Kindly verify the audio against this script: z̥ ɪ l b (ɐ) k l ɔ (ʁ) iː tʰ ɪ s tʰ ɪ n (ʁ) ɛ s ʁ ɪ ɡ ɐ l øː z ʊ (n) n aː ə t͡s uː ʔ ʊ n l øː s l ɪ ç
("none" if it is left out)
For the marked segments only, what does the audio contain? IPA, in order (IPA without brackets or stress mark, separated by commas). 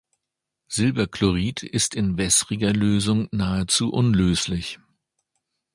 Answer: ɐ, ʁ, v, ŋ